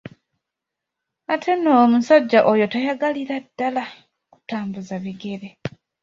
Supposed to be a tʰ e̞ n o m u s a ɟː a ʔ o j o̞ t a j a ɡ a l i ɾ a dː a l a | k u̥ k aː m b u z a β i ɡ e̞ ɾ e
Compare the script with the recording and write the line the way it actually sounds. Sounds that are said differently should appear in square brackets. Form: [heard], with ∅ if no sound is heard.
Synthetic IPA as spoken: a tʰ e̞ n o m u s a ɟː a ʔ o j o̞ t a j a ɡ a l i ɾ a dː a l a | k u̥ [t] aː m b u z a β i ɡ e̞ ɾ e

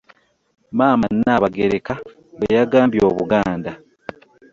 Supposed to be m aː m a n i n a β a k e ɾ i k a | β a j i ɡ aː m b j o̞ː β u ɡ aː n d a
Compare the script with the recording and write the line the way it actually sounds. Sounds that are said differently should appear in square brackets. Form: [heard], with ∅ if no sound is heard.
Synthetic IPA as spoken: m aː m a n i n a β a [ɡ] e ɾ [e] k a | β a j [a] ɡ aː m b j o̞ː β u ɡ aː n d a

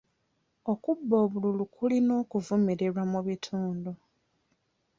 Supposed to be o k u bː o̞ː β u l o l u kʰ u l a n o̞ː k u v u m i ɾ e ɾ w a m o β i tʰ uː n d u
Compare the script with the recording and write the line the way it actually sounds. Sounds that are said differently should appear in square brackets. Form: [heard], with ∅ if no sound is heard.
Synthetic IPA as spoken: o k u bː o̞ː β u l [u] l u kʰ u l [i] n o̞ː k u v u m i ɾ e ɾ w a m [u] β i tʰ uː n d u

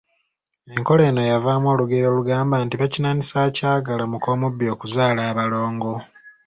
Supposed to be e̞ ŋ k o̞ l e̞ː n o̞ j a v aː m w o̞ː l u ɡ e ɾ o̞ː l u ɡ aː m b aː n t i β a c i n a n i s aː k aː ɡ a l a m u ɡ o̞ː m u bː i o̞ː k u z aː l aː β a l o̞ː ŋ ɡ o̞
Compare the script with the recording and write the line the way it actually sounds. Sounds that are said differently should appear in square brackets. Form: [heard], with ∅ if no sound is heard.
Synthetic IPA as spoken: e̞ ŋ k o̞ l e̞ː n o̞ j a v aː m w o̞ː l u ɡ e ɾ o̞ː l u ɡ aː m b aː n t i β a c i n a n i s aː [c] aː ɡ a l a m u [k] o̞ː m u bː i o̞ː k u z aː l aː β a l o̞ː ŋ ɡ o̞

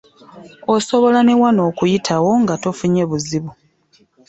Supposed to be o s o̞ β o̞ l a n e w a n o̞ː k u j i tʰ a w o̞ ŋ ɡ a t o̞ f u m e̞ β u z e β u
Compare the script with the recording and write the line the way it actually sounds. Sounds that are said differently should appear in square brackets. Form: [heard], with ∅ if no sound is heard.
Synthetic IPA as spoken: o s o̞ β o̞ l a n e w a n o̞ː k u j i tʰ a w o̞ ŋ ɡ a t o̞ f u [ɲ] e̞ β u z [i] β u

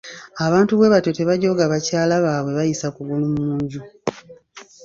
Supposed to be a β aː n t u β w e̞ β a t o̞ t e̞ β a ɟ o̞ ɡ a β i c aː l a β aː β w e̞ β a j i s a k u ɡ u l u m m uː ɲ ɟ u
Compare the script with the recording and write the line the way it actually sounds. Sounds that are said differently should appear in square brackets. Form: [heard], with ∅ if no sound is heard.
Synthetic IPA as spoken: a β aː n t u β w e̞ β a t o̞ t e̞ β a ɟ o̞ ɡ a β [a] c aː l a β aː β w e̞ β a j i s a k u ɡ u l u m m uː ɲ ɟ u

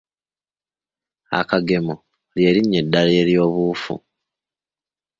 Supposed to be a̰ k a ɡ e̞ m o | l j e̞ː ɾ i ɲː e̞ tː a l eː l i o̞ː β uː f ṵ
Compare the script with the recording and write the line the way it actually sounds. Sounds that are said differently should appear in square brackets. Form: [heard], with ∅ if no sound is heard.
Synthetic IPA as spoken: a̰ k a ɡ e̞ m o | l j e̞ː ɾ i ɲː e̞ [dː] a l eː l [j] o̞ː β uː f ṵ

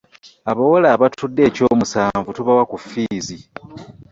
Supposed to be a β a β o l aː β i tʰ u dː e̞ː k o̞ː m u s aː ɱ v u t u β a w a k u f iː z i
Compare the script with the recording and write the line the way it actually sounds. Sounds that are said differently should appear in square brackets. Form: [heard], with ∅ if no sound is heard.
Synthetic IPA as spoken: a β a [w] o l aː β [a] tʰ u dː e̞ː [c] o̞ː m u s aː ɱ v u t u β a w a k u f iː z i

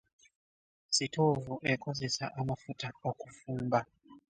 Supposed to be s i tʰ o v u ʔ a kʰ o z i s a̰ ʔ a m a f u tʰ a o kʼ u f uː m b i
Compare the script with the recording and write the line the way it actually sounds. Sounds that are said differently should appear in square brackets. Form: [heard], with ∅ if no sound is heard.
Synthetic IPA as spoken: s i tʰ o v u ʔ [ɛ] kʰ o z i s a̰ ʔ a m a f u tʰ a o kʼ u f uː m b [a]

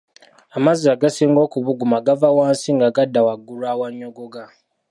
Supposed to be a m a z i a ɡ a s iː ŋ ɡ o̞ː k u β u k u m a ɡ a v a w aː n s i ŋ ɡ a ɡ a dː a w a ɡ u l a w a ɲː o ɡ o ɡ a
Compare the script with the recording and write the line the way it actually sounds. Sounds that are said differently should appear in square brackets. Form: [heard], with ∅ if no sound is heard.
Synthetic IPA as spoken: a m a z i a ɡ a s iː ŋ ɡ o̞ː k u β u [ɡ] u m a ɡ a v a w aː n s i ŋ ɡ a ɡ a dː a w a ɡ u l a w a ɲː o ɡ o ɡ a

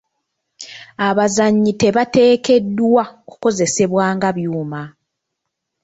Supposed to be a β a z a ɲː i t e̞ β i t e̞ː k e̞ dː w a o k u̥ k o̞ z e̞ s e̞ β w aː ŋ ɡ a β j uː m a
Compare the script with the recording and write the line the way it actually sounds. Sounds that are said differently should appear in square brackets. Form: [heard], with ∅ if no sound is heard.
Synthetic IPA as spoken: a β a z a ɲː i t e̞ β [a] t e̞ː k e̞ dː w a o k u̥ k o̞ z e̞ s e̞ β w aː ŋ ɡ a β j uː m a

